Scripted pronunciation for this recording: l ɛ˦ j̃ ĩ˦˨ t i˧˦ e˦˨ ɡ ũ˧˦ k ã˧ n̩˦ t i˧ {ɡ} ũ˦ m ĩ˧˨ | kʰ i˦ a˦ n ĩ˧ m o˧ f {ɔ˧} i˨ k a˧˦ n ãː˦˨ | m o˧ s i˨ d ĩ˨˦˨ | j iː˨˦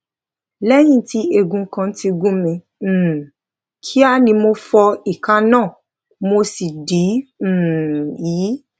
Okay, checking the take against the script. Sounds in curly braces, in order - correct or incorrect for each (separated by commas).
correct, correct